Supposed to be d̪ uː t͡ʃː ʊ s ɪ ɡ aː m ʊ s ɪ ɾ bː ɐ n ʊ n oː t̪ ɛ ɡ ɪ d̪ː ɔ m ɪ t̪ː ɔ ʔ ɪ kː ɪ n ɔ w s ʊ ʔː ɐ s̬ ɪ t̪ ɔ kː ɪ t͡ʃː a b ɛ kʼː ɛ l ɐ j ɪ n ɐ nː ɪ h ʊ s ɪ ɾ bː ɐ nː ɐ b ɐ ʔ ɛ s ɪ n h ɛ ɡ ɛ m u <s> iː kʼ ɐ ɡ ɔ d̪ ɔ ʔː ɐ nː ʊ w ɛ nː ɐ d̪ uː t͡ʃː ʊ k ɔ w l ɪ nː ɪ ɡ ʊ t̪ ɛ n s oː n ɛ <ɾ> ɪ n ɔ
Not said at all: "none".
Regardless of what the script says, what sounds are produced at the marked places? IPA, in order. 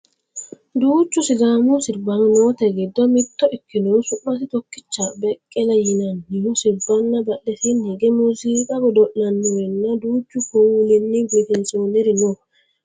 s, ɾ

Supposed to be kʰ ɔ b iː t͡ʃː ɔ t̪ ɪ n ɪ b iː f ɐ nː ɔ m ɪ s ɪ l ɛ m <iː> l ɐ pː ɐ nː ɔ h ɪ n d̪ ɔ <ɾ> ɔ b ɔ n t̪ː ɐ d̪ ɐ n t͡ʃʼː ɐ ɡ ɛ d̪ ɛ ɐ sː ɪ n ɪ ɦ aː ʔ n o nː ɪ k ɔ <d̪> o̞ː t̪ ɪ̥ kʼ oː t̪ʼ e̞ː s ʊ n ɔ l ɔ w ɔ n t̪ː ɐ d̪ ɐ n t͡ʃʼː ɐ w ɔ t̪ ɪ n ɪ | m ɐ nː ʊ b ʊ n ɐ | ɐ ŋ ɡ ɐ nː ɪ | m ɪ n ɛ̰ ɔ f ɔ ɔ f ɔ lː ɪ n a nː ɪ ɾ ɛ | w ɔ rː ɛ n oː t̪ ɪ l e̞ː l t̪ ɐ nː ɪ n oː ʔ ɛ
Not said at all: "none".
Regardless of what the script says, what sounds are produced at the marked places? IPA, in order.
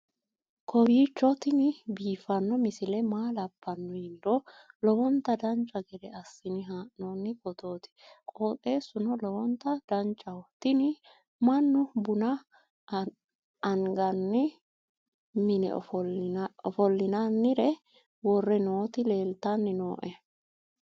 aː, l, t̪

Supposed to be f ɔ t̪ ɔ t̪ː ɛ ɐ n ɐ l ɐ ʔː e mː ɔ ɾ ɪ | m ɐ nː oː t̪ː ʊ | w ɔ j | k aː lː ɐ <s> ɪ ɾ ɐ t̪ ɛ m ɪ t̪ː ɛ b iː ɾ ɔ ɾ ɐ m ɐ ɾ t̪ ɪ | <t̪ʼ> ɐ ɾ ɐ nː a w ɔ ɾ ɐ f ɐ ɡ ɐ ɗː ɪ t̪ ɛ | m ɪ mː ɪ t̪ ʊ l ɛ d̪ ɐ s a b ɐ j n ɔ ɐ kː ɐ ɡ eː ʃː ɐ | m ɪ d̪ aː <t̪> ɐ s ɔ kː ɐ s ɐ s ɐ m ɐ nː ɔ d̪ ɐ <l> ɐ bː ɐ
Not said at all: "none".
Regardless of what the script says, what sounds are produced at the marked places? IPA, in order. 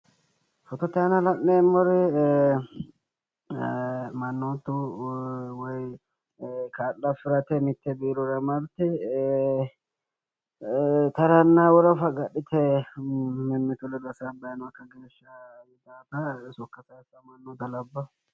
f, t̪, t̪, l

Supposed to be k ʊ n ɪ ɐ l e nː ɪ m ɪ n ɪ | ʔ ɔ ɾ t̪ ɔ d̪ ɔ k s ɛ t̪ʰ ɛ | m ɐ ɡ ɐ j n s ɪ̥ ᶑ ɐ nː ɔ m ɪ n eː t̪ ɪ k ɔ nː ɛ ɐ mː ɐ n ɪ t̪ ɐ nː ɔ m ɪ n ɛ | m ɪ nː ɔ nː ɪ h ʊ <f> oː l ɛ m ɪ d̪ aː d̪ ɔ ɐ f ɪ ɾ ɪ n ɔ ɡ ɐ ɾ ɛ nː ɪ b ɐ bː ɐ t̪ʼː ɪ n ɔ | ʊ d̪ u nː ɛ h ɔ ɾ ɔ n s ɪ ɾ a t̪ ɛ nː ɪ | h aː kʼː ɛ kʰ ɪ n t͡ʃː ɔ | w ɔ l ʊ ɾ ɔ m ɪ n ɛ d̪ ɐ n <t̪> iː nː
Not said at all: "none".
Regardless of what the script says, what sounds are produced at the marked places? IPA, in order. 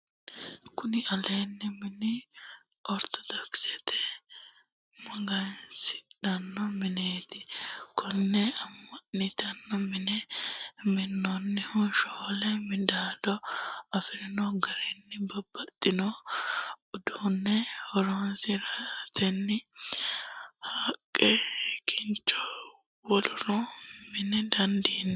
ʃ, d̪

